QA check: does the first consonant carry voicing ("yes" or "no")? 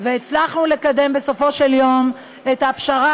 yes